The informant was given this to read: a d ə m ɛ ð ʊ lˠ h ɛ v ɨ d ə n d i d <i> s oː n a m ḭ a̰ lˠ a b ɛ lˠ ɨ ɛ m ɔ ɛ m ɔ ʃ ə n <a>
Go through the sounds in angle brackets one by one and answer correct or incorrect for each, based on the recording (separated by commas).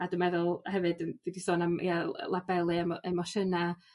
correct, correct